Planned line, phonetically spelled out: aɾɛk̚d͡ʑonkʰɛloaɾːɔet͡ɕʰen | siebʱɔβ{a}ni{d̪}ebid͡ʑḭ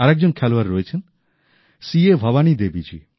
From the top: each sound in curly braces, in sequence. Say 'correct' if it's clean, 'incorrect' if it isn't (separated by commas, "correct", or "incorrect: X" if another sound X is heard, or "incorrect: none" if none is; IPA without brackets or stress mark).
correct, correct